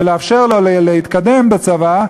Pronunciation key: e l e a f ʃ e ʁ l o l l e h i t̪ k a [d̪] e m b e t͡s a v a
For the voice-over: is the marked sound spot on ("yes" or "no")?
yes